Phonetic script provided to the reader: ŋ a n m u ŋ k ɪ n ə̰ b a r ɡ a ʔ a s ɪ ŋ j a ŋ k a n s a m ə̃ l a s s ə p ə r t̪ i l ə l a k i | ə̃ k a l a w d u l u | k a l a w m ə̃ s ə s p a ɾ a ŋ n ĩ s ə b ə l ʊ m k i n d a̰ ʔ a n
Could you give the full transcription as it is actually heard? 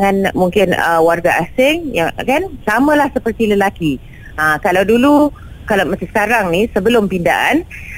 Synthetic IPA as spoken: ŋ a n m u ŋ k ɪ n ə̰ w a r ɡ a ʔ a s ɪ ŋ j a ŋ k a n s a m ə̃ l a h s ə p ə r t̪ i l ə l a k i | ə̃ k a l a w d u l u | k a l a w m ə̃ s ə s k a ɾ a ŋ n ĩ s ə b ə l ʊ m p i n d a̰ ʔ a n